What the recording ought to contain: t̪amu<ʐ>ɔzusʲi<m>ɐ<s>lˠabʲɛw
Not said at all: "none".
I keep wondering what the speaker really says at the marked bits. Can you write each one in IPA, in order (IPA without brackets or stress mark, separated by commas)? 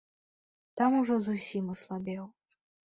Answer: ʐ, m, s